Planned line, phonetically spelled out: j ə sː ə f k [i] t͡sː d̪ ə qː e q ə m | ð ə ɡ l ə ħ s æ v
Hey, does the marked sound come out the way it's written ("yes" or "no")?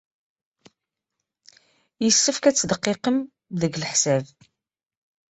no